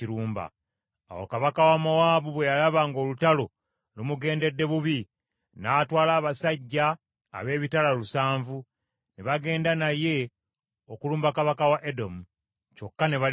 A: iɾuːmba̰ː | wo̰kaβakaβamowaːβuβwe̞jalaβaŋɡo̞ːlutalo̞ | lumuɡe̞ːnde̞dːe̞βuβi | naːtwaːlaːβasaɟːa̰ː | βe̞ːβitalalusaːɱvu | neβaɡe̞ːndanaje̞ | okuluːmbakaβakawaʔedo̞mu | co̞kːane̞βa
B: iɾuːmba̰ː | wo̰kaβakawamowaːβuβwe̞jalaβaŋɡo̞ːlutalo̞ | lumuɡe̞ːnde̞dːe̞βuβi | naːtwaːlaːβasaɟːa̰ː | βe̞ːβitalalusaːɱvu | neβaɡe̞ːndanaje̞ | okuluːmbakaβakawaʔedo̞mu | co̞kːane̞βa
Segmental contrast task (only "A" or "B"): B